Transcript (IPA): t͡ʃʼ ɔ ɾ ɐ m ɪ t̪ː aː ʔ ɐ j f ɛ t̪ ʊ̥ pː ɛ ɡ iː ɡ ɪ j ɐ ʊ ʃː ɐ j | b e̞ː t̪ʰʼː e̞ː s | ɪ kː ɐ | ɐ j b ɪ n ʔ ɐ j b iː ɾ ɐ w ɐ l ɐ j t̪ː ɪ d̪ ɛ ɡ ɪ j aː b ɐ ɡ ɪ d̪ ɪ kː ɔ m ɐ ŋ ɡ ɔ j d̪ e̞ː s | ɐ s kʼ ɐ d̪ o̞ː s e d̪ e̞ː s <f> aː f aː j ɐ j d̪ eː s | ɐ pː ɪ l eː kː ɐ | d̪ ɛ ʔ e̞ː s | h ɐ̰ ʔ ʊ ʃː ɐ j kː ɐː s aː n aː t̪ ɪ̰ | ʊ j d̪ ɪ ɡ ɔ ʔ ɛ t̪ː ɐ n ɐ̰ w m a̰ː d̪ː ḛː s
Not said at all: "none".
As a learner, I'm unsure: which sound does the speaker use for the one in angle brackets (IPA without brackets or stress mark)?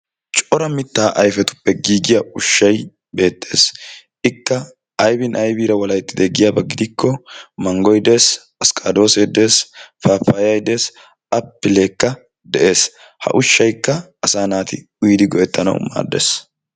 f